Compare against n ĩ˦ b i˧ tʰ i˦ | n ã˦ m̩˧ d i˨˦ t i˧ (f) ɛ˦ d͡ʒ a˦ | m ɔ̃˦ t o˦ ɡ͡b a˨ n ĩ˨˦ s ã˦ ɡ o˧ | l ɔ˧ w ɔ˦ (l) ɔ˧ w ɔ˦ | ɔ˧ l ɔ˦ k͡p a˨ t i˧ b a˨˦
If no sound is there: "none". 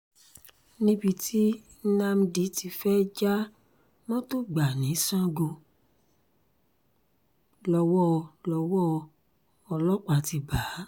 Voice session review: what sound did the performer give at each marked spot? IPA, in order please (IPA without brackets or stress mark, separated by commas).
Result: f, l